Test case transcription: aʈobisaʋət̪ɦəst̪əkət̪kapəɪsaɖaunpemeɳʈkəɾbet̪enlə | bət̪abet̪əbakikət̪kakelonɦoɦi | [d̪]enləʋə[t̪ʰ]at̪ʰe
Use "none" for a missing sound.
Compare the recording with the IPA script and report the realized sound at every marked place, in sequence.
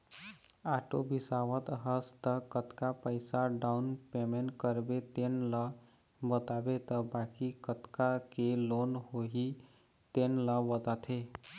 t̪, t̪

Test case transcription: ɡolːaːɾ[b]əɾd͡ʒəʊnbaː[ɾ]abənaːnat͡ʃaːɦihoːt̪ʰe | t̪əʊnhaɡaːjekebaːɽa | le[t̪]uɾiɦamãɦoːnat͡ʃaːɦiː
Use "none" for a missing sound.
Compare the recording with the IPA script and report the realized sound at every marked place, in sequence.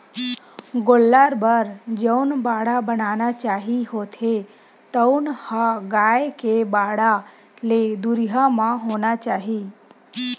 b, ɽ, d̪

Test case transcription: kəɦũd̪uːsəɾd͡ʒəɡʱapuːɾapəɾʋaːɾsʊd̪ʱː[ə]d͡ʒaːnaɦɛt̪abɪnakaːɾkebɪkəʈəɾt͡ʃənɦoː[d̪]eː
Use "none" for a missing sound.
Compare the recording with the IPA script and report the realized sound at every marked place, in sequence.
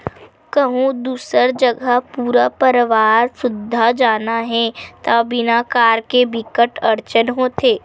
a, t̪

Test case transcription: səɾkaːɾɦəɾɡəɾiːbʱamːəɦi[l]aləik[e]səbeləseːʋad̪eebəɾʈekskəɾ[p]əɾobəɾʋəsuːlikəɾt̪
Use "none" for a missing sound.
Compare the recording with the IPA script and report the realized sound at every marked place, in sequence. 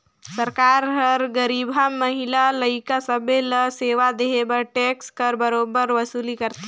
l, a, b

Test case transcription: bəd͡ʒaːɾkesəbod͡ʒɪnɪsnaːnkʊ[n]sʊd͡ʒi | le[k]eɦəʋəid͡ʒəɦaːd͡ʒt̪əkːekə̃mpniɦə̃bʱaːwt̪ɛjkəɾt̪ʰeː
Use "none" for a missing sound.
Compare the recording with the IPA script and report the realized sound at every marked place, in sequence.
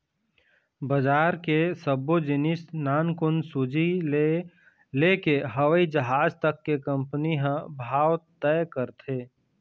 n, k

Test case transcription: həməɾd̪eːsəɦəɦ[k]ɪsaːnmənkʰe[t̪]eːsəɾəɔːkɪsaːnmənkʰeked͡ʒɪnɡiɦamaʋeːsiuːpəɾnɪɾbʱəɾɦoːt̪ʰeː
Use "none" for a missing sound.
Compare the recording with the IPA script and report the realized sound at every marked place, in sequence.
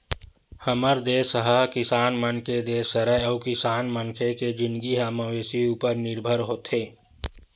k, d̪

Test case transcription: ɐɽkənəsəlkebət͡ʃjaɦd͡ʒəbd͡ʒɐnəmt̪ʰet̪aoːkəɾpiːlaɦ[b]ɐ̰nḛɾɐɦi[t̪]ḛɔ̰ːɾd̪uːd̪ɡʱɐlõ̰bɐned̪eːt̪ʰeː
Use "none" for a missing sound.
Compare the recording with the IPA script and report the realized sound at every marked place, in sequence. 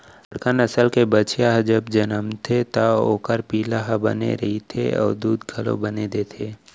b, t̪ʰ

